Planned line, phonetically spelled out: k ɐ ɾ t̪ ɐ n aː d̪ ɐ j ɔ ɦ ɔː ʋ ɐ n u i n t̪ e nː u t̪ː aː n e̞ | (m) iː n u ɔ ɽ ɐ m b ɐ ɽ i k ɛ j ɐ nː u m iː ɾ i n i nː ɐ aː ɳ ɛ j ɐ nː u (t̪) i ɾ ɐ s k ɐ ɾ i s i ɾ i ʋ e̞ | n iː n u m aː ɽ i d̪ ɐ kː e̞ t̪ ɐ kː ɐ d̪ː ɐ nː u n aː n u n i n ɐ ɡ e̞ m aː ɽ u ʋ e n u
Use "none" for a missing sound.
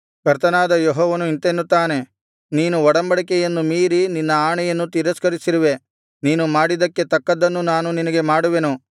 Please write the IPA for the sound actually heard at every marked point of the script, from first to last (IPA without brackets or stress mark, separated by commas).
n, t̪